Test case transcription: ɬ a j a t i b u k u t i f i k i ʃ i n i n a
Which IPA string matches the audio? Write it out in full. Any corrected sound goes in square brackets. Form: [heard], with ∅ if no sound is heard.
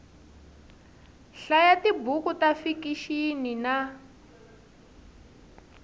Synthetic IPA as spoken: ɬ a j a t i b u k u t [a] f i k i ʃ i n i n a